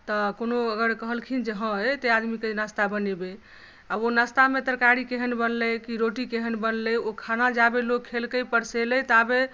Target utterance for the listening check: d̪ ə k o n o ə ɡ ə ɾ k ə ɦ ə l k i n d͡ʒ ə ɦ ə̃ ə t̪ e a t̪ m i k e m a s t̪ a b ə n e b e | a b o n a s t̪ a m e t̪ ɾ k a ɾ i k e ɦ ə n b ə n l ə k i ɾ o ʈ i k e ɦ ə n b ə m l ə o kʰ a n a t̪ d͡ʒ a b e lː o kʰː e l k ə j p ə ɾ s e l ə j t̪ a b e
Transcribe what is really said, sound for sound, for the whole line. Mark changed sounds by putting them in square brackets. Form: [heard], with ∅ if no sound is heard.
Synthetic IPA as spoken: [t̪] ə k o n o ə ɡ ə ɾ k ə ɦ ə l [kʰ] i n d͡ʒ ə ɦ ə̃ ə t̪ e a [d̪] m i k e [n] a s t̪ a b ə n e b e | a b o n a s t̪ a m e t̪ ɾ k a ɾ i k e ɦ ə n b ə n l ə k i ɾ o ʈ i k e ɦ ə n b ə [n] l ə o kʰ a n a [∅] d͡ʒ a b e [l] o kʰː e l k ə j p ə ɾ s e l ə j t̪ a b e

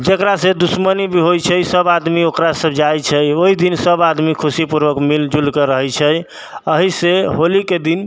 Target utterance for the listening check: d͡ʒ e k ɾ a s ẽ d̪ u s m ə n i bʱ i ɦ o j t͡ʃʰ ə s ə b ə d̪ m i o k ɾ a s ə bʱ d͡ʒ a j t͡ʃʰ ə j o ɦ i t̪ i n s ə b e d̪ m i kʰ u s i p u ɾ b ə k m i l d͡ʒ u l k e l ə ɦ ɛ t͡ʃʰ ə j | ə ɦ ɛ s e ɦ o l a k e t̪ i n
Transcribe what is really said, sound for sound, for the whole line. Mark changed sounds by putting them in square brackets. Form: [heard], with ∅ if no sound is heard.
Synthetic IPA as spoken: d͡ʒ e k ɾ a s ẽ d̪ u s m ə n i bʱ i ɦ o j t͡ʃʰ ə s ə b [a] d̪ m i o k ɾ a s ə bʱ d͡ʒ a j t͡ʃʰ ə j o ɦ i [d̪] i n s ə b [a] d̪ m i kʰ u s i p u ɾ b ə k m i l d͡ʒ u l k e [ɾ] ə ɦ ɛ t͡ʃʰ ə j | ə ɦ [i] s e ɦ o l [i] k e [d̪] i n

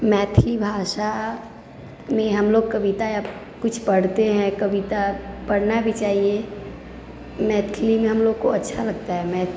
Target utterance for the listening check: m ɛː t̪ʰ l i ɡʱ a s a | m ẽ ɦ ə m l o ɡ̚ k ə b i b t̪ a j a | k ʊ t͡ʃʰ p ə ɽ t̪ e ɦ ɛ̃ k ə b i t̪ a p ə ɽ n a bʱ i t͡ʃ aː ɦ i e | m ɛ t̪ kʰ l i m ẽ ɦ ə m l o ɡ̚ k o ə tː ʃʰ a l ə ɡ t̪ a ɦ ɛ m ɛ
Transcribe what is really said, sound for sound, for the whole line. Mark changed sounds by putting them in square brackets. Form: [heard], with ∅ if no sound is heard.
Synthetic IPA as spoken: m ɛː t̪ʰ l i [bʱ] a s a | m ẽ ɦ ə m l o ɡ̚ k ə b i [∅] t̪ a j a | k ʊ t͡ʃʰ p ə ɽ t̪ e ɦ ɛ̃ k ə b i t̪ a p ə ɽ n a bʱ i t͡ʃ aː ɦ i e | m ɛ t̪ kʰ l i m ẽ ɦ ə m l o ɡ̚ k o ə tː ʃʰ a l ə ɡ t̪ a ɦ ɛ m ɛ

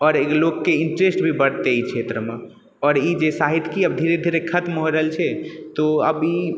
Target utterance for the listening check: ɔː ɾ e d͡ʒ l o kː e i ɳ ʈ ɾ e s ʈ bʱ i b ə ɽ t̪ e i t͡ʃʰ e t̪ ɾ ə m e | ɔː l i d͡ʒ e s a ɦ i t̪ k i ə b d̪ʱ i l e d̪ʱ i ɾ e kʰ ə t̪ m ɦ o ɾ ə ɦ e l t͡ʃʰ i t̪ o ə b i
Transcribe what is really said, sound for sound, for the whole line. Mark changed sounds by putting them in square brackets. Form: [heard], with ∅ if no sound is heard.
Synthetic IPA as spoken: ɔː ɾ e [∅] l o kː e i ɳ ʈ ɾ e s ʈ bʱ i b ə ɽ t̪ e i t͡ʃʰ e t̪ ɾ ə m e | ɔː [ɾ] i d͡ʒ e s a ɦ i t̪ k i ə b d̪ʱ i [ɾ] e d̪ʱ i ɾ e kʰ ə t̪ m ɦ o ɾ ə ɦ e l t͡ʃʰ [ɛ] t̪ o ə b i

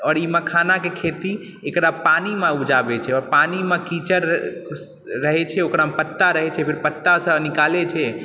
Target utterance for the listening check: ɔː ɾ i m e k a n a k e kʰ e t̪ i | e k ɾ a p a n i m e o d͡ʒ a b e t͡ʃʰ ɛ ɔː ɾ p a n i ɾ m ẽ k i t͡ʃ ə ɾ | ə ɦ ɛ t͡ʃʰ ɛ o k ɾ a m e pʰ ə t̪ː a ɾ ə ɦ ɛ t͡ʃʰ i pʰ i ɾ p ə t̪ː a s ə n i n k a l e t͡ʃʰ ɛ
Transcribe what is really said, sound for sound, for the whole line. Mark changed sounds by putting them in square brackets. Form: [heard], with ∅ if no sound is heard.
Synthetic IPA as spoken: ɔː ɾ i m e [kʰ] a n a k e kʰ e t̪ i | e k ɾ a p a n i m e [u] d͡ʒ a b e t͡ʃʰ ɛ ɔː ɾ p a n i [∅] m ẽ k i t͡ʃ ə ɾ | ə ɦ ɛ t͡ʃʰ ɛ o k ɾ a m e [p] ə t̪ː a ɾ ə ɦ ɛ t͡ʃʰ [ɛ] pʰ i ɾ p ə t̪ː a s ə n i [∅] k a l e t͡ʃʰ ɛ

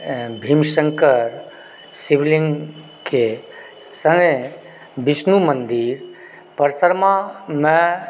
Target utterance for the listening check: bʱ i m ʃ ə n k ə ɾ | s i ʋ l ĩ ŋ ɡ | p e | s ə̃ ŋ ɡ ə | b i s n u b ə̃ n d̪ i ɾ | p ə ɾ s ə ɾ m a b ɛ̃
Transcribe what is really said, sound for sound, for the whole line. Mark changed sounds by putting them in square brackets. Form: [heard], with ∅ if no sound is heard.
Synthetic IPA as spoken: bʱ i m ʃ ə [ŋ] k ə ɾ | s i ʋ l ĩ ŋ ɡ | [k] e | s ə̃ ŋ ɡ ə | b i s n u [m] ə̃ n d̪ i ɾ | p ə ɾ s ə ɾ m a [m] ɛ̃

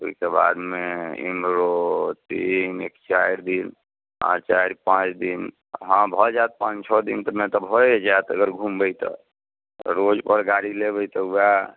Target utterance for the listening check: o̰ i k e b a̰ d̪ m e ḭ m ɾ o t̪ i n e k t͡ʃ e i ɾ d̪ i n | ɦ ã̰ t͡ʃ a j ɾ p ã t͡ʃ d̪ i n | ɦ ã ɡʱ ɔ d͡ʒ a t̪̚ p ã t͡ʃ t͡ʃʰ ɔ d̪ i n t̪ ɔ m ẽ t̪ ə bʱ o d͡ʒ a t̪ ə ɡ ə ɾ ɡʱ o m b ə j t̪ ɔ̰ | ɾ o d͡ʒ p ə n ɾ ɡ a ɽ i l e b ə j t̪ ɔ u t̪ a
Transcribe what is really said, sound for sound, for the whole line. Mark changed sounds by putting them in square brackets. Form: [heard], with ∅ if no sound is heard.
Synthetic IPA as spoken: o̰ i k e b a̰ d̪ m e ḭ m ɾ o t̪ i n e k t͡ʃ [a] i ɾ d̪ i n | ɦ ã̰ t͡ʃ a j ɾ p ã t͡ʃ d̪ i n | ɦ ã [bʱ] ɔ d͡ʒ a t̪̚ p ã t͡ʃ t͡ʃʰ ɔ d̪ i n t̪ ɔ m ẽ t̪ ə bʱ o d͡ʒ a t̪ ə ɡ ə ɾ ɡʱ [u] m b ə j t̪ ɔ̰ | ɾ o d͡ʒ p ə [∅] ɾ ɡ a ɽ i l e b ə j t̪ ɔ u [∅] a

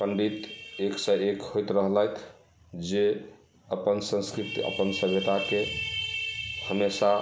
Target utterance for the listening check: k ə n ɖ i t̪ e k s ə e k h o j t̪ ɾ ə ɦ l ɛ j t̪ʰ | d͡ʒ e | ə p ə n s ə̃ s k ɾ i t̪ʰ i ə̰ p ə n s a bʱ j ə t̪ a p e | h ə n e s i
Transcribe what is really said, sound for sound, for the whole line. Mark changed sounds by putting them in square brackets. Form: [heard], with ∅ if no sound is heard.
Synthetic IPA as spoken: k ə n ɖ i t̪ e k s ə e k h o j t̪ ɾ ə ɦ l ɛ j t̪ʰ | d͡ʒ e | ə p ə n s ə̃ s k ɾ i [t̪] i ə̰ p ə n s [ə] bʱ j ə t̪ a [k] e | h ə [m] e s [a]

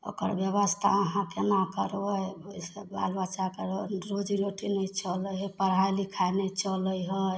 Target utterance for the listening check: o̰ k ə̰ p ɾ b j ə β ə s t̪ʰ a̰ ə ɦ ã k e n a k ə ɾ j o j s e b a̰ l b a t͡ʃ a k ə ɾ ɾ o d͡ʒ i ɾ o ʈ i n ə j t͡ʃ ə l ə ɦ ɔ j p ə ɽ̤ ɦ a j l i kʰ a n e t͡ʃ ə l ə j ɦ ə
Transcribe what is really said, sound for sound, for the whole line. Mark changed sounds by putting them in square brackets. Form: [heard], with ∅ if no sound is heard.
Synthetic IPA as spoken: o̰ k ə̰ [∅] ɾ b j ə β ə s t̪ʰ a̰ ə ɦ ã k e n a k ə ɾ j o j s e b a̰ l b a t͡ʃ a k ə ɾ ɾ o d͡ʒ i ɾ o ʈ i n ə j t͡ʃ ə l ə ɦ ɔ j p ə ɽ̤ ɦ a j l i kʰ a n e t͡ʃ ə l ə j ɦ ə

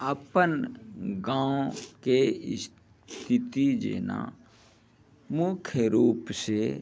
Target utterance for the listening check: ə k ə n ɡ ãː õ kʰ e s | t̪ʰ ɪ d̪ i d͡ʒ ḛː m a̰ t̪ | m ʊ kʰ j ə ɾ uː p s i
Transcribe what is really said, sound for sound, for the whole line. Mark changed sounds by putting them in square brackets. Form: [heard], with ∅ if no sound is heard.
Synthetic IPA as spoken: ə [p] ə n ɡ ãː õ [k] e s | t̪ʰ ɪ [t̪] i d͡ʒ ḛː [n] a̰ [∅] | m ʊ kʰ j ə ɾ uː p s [e]

